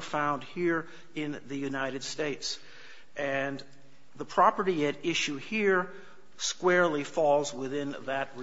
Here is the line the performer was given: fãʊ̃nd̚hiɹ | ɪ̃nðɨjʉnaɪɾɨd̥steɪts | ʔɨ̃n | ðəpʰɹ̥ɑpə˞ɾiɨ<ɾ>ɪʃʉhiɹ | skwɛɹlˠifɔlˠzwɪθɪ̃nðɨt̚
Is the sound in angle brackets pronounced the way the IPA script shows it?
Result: yes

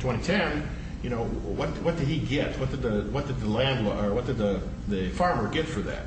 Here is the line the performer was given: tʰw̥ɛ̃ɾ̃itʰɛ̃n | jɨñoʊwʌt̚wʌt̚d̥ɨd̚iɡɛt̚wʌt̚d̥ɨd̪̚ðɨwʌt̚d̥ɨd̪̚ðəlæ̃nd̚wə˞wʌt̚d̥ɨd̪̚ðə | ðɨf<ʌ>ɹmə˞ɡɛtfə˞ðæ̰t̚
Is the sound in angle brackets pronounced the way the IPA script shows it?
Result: no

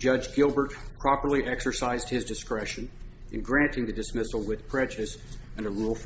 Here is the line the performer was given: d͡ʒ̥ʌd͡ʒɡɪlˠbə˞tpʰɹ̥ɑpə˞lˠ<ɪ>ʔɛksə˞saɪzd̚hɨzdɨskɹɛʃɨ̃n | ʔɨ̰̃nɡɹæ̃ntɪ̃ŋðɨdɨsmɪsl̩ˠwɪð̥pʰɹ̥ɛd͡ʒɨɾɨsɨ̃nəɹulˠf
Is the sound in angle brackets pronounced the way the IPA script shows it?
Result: no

